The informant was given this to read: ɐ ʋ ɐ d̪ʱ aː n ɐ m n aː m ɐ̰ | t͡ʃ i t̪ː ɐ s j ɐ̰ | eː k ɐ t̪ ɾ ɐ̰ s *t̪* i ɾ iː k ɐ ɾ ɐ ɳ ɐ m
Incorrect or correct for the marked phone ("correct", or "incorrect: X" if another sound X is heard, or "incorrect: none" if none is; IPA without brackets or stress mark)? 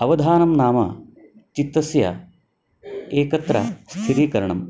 incorrect: t̪ʰ